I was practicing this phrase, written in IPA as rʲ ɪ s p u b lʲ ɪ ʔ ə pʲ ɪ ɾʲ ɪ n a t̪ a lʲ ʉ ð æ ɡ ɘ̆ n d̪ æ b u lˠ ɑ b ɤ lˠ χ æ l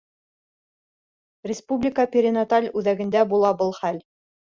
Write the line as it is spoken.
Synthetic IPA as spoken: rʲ ɪ s p u b lʲ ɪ k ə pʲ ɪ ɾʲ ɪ n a t̪ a lʲ ʉ ð æ ɡ ɘ̆ n d̪ æ b u lˠ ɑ b ɤ lˠ χ æ l